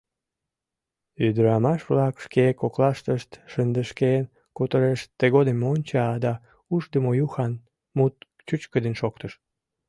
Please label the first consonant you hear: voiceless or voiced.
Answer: voiced